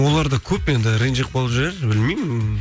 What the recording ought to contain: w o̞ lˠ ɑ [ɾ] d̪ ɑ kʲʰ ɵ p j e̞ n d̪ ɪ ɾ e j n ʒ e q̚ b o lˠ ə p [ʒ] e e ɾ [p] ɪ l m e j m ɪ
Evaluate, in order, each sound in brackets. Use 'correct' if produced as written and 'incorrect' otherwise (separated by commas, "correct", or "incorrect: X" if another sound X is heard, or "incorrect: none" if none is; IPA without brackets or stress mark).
correct, correct, incorrect: b